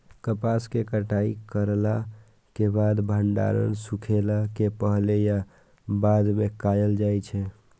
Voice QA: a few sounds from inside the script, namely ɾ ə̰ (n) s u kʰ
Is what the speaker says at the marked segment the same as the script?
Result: yes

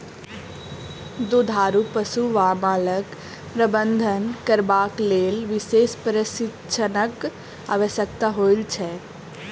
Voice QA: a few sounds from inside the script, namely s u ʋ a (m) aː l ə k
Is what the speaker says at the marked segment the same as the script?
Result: yes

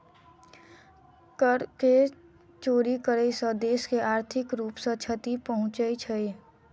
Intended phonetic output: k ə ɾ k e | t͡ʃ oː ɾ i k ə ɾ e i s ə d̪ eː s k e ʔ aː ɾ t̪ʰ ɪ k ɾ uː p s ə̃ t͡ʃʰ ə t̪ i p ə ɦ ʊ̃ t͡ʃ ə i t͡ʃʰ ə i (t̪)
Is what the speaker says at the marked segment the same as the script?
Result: no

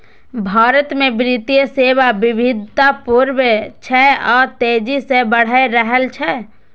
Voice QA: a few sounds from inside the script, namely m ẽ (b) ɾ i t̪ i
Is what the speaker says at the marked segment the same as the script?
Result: yes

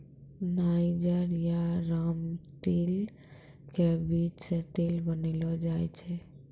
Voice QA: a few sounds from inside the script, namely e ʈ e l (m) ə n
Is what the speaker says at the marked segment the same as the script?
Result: no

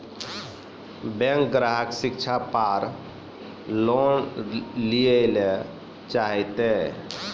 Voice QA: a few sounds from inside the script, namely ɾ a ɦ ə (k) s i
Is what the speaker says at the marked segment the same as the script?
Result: yes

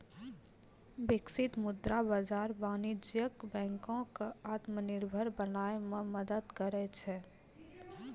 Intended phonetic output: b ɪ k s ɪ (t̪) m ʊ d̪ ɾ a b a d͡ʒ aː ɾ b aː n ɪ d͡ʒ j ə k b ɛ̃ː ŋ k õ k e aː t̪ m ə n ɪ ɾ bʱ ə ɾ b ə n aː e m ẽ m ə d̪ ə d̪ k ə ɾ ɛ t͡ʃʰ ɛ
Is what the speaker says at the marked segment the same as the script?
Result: yes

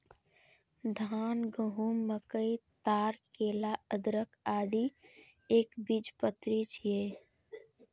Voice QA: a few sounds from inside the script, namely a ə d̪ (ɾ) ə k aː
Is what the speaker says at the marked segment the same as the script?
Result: yes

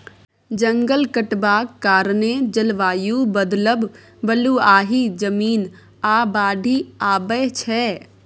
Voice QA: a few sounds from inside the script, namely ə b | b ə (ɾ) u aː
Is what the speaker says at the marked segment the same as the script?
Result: no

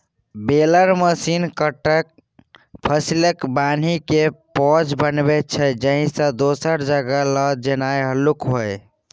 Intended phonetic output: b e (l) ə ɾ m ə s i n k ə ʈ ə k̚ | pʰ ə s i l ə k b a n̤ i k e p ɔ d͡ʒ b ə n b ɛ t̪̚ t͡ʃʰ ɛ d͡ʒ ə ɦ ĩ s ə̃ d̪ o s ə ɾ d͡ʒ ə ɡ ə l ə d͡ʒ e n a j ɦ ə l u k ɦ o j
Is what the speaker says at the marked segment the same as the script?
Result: yes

